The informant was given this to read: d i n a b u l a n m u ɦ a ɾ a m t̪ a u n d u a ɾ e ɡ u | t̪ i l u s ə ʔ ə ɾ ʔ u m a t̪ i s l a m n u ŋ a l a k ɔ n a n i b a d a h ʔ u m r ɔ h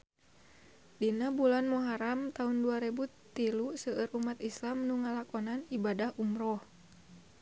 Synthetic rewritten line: d i n a b u l a n m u ɦ a ɾ a m t̪ a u n d u a ɾ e b u | t̪ i l u s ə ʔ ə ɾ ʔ u m a t̪ i s l a m n u ŋ a l a k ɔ n a n i b a d a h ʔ u m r ɔ h